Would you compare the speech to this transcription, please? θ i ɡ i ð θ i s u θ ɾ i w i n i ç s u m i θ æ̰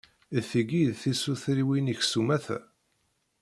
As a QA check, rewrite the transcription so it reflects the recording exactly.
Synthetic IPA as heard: θ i ɡ i ð θ i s u θ ɾ i w i n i ç s u m æ θ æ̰